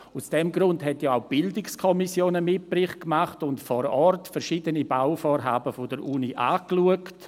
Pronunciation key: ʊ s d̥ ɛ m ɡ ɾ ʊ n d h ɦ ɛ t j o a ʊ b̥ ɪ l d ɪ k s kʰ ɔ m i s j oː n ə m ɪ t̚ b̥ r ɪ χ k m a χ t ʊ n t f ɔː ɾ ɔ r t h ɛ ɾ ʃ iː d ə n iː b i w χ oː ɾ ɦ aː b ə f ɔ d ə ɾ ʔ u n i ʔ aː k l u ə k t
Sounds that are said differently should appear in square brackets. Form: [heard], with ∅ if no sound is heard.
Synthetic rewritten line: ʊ s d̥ ɛ m ɡ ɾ ʊ n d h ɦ ɛ t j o a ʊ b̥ ɪ l d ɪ k s kʰ ɔ m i s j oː n ə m ɪ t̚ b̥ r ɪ χ k m a χ t ʊ n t f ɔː ɾ ɔ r t [f] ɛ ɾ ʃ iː d ə n [i] b [a] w [f] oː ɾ ɦ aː b ə f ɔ d ə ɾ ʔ u n i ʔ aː k l u ə k t